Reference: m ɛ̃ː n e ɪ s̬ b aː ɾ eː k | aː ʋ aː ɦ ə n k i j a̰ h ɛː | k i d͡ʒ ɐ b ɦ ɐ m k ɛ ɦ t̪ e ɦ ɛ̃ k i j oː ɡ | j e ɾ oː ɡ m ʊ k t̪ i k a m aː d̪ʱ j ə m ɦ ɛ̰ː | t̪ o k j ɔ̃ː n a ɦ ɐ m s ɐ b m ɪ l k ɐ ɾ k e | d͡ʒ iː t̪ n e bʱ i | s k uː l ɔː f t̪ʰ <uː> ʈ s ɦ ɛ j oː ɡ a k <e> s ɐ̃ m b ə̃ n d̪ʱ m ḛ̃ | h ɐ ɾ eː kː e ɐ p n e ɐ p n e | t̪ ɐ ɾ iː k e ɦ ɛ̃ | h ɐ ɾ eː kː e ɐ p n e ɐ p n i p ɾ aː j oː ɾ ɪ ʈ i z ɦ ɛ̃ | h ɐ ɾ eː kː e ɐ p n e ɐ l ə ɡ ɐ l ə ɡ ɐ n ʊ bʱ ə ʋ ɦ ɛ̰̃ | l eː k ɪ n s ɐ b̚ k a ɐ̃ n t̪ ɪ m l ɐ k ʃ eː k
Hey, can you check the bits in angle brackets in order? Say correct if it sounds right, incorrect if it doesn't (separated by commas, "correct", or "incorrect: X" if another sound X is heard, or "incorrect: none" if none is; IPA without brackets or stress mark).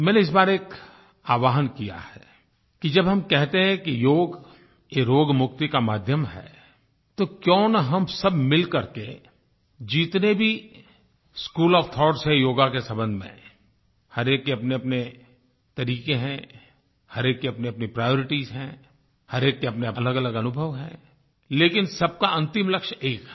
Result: incorrect: ɔː, correct